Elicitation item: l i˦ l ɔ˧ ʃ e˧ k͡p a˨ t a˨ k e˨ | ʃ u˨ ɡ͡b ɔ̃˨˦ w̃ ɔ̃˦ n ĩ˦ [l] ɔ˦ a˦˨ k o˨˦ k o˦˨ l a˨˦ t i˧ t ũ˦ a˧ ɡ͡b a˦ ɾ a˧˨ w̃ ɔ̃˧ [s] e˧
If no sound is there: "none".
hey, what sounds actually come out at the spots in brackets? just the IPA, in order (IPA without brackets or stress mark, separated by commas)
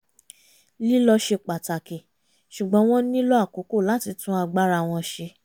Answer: l, ʃ